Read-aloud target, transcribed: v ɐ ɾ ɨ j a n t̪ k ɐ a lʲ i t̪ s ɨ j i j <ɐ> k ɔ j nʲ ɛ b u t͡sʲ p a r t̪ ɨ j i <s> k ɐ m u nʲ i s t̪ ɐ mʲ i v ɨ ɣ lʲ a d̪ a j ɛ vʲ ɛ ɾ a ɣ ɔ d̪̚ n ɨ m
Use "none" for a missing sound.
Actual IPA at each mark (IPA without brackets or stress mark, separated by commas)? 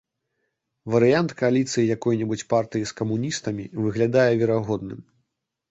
a, s